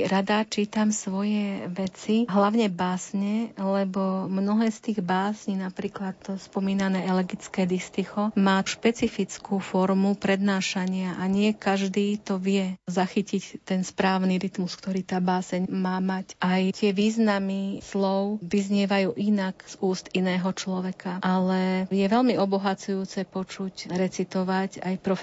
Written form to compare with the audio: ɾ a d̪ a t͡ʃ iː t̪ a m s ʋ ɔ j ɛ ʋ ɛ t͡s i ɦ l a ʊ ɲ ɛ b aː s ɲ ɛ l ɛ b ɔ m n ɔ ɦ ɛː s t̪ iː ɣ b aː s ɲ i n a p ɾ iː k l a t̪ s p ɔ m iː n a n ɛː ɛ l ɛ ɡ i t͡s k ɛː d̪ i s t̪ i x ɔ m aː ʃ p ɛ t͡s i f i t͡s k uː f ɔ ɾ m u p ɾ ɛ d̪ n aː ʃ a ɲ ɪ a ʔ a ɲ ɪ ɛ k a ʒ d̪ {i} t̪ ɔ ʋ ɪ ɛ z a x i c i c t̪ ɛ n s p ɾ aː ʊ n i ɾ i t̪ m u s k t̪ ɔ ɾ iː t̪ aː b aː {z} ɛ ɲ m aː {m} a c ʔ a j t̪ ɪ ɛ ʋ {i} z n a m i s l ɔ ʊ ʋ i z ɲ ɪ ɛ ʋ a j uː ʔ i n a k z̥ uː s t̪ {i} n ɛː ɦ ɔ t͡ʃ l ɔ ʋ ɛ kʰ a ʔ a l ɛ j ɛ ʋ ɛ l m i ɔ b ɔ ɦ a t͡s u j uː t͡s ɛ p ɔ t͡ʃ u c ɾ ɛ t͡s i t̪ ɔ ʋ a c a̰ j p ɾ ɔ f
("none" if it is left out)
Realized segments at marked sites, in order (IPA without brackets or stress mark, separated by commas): iː, s, m, iː, i